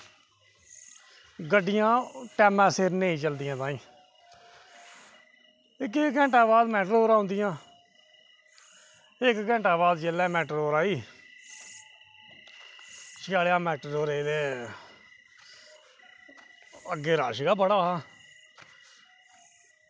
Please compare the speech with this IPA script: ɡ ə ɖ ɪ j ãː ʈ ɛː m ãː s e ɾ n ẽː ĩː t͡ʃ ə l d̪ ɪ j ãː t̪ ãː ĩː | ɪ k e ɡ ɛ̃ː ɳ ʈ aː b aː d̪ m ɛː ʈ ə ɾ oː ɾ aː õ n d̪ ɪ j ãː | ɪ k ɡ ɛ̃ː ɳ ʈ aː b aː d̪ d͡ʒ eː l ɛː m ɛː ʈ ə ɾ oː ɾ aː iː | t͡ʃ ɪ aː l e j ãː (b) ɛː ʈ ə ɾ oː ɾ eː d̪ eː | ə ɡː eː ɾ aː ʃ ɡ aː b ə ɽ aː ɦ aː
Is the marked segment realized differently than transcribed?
yes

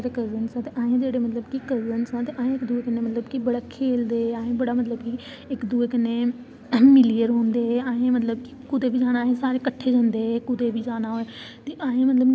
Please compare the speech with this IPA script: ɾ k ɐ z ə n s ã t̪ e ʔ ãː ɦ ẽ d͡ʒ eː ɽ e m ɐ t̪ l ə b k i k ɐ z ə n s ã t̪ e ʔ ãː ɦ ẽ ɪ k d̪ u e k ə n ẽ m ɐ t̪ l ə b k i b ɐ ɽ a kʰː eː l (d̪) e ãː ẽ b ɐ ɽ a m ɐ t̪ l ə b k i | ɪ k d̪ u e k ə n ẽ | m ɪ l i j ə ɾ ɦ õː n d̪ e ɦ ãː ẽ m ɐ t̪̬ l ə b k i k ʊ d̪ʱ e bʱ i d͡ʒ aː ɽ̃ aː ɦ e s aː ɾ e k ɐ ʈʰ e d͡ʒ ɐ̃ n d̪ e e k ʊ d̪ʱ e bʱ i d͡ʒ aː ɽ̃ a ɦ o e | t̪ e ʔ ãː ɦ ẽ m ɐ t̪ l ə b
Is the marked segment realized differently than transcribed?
no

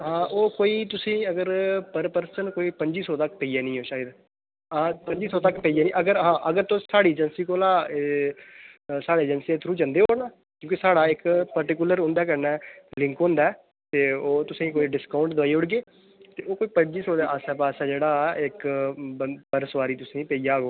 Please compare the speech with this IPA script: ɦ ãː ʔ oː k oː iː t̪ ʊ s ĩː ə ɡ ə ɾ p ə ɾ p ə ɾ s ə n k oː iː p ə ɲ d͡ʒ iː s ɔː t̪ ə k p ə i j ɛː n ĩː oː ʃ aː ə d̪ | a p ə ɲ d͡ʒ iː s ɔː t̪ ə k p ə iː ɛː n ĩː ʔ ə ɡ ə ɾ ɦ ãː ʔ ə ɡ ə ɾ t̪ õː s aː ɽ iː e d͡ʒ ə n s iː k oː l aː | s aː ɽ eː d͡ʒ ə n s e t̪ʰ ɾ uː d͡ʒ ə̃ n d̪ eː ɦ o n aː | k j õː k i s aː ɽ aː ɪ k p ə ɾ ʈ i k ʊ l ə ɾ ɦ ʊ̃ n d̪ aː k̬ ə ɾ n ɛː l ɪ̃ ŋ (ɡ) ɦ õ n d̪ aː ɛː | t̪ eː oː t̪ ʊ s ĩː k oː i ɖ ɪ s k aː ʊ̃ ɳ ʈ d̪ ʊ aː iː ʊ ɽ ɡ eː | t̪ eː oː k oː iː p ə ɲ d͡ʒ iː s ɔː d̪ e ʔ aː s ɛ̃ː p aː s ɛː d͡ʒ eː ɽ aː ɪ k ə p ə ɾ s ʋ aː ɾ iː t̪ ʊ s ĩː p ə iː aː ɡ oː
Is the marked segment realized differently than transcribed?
yes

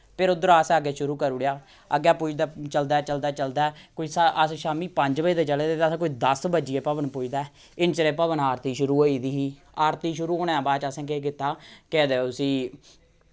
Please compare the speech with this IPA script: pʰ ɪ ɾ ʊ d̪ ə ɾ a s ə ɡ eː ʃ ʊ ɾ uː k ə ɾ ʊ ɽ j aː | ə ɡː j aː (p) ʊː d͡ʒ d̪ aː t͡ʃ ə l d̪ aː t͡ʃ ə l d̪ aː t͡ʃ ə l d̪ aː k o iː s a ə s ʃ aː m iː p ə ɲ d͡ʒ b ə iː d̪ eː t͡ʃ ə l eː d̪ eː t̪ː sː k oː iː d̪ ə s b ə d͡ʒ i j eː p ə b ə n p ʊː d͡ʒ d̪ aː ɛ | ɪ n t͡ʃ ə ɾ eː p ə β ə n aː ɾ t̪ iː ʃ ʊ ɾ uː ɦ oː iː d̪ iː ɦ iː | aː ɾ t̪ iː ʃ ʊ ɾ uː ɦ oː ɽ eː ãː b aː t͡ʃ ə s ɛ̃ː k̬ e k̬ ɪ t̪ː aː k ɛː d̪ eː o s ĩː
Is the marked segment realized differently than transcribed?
no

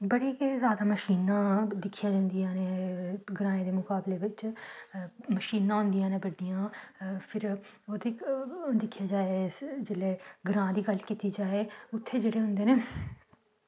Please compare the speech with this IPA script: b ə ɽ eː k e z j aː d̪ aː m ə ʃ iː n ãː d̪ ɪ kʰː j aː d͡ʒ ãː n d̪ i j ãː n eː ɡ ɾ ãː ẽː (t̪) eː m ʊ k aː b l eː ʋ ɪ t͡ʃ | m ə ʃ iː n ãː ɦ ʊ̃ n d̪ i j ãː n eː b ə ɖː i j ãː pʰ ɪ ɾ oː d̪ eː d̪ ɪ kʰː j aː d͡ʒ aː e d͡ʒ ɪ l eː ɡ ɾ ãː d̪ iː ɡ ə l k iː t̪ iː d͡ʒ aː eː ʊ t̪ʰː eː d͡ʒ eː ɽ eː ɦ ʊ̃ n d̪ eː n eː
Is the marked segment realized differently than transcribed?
yes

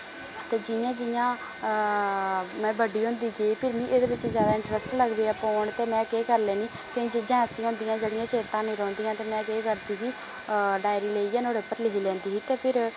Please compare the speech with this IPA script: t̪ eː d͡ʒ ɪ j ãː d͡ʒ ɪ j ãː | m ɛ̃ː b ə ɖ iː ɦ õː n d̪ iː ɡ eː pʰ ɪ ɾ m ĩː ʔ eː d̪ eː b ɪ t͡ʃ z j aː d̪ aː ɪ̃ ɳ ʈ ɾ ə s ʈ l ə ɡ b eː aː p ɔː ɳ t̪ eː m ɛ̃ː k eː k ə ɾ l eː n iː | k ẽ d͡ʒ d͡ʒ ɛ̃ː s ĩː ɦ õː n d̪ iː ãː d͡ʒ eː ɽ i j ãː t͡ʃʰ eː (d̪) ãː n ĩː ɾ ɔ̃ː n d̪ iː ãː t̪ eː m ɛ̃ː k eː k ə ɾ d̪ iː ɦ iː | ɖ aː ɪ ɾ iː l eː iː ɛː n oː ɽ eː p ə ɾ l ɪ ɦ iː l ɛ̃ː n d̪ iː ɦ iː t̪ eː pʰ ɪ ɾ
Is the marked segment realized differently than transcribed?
yes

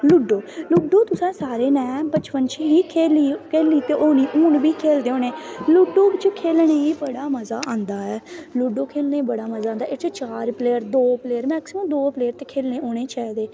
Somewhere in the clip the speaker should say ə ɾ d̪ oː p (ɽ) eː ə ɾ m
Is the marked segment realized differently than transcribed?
yes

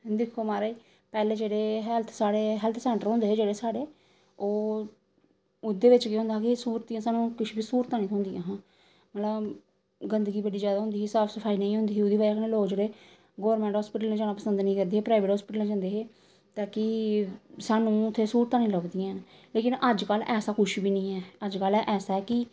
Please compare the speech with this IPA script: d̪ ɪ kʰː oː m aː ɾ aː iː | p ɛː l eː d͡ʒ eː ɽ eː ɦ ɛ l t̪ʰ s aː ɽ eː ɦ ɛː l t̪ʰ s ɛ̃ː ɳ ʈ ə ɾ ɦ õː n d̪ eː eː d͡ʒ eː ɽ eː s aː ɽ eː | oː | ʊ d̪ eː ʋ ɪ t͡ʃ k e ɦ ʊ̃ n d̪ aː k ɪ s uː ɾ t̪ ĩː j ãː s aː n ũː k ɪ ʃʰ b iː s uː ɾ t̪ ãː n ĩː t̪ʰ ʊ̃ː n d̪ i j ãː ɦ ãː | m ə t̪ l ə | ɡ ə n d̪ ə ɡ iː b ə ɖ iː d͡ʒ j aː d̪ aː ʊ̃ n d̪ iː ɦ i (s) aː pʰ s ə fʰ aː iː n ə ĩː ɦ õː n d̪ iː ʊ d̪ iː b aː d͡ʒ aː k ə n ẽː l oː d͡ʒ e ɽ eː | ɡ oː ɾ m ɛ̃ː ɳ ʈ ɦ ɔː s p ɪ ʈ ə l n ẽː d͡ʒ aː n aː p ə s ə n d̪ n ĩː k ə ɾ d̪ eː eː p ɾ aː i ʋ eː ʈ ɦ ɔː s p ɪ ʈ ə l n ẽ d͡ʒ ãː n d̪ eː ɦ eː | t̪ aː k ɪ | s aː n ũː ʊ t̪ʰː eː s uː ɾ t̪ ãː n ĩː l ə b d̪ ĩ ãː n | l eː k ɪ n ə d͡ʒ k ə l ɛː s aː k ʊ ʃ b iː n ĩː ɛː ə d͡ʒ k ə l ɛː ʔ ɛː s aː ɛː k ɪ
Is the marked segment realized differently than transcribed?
no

